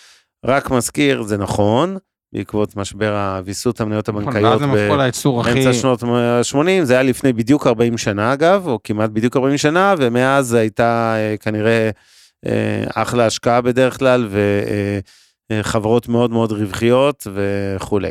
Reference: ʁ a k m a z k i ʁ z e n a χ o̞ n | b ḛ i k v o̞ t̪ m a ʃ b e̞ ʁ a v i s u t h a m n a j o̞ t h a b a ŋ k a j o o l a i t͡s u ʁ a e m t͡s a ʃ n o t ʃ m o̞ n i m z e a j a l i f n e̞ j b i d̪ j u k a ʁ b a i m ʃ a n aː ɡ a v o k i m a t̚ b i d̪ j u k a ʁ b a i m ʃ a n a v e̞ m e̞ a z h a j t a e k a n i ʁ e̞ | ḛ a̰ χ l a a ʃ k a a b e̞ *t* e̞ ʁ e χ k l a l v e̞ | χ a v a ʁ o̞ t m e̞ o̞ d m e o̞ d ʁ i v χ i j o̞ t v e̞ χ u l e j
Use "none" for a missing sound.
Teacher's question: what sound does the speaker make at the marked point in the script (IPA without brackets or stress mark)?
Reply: d